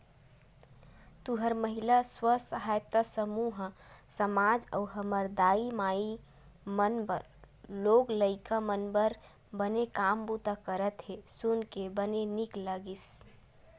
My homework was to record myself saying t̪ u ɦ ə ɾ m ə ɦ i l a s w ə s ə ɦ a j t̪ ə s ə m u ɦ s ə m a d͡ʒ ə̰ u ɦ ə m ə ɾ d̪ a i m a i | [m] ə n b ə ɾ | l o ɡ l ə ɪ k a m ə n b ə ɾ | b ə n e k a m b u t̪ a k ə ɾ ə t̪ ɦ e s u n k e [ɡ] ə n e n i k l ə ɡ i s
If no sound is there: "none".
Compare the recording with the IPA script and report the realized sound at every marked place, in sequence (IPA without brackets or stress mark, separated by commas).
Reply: m, b